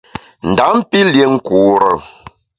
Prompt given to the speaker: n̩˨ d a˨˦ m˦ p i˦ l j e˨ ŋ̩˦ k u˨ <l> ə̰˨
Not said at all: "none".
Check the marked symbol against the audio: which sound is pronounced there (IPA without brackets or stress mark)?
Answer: ɾ